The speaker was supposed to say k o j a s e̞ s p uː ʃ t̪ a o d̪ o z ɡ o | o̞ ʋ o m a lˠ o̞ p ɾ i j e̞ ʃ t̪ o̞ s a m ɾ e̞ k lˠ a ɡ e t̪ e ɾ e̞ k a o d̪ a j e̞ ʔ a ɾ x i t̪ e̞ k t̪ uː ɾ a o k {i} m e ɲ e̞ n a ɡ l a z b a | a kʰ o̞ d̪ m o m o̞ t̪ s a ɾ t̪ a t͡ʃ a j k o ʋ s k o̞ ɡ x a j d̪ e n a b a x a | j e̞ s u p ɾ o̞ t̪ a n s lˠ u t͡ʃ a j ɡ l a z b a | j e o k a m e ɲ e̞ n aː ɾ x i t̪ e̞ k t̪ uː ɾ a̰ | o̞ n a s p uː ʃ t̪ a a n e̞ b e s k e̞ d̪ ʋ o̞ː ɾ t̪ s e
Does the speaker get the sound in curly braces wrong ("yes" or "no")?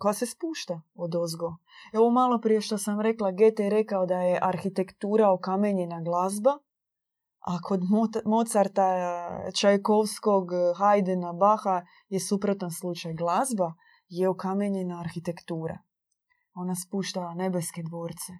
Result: yes